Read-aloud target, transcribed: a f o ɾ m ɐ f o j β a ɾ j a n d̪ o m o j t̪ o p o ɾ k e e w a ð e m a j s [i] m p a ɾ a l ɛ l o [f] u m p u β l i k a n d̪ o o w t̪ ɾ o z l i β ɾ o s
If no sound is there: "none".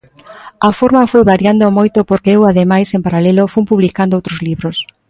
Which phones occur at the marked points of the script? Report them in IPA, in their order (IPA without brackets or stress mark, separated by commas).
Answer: e, f